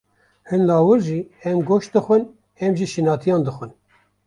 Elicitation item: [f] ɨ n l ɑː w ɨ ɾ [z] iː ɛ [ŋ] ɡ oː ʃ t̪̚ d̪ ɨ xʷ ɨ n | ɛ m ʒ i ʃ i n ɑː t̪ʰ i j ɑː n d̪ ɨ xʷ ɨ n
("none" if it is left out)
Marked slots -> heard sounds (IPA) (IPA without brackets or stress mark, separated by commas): h, ʒ, m